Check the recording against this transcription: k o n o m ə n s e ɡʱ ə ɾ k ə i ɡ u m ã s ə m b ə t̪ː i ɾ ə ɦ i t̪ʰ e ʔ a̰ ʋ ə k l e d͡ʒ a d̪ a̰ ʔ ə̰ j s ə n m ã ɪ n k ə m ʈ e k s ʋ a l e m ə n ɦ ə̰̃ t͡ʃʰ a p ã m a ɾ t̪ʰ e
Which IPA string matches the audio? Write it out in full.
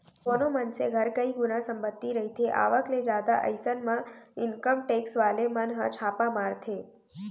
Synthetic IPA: k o n o m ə n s e ɡʱ ə ɾ k ə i ɡ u n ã s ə m b ə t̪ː i ɾ ə ɦ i t̪ʰ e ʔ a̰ ʋ ə k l e d͡ʒ a d̪ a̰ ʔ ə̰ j s ə n m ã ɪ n k ə m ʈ e k s ʋ a l e m ə n ɦ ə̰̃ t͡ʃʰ a p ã m a ɾ t̪ʰ e